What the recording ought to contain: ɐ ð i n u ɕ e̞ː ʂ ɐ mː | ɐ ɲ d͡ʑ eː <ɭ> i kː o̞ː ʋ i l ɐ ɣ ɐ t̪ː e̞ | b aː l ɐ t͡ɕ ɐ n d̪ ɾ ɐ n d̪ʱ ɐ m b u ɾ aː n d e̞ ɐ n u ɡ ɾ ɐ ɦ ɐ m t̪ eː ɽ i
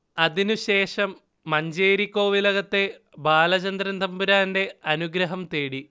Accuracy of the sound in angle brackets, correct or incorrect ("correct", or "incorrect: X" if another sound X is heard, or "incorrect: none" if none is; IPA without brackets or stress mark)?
incorrect: ɾ